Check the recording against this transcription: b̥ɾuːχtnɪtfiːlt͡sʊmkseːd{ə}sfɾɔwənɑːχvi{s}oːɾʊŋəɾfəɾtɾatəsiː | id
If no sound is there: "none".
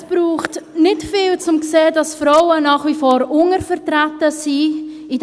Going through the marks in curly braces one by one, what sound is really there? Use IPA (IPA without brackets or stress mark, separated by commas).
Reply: ɑ, f